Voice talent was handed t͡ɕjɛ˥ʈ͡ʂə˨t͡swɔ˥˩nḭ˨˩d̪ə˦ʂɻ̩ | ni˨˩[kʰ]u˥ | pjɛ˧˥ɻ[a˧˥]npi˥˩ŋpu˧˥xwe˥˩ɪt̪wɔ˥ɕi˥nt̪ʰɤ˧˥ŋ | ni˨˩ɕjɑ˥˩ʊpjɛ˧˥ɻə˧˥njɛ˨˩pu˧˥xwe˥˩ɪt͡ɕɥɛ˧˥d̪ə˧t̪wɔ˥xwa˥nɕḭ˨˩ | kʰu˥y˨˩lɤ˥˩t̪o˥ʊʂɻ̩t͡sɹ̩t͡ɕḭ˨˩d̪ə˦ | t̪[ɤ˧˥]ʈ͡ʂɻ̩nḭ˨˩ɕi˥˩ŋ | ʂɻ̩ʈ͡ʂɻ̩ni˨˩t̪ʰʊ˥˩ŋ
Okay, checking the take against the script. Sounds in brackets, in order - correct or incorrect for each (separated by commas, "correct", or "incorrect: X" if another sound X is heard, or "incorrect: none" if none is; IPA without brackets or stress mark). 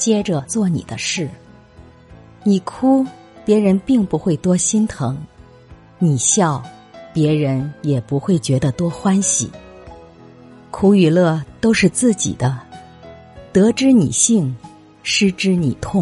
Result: correct, incorrect: ə˧˥, correct